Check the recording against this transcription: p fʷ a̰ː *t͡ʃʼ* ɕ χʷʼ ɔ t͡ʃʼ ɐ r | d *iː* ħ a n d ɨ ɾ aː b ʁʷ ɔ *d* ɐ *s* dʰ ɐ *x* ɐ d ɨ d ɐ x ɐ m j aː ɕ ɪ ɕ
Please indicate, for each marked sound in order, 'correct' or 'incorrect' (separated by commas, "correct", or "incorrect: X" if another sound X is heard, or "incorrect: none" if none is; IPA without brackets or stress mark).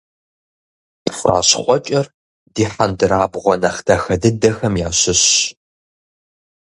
incorrect: none, correct, incorrect: n, incorrect: χ, correct